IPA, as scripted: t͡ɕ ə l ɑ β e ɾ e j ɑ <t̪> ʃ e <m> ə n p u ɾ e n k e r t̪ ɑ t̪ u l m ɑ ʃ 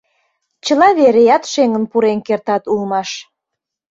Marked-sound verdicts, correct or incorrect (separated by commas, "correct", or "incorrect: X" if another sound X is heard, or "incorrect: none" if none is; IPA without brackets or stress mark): correct, incorrect: ŋ